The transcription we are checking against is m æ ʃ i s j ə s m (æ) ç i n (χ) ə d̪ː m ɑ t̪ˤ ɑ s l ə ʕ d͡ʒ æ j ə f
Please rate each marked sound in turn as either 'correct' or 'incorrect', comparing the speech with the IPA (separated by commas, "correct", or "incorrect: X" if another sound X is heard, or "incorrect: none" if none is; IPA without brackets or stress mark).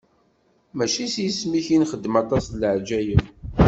incorrect: i, correct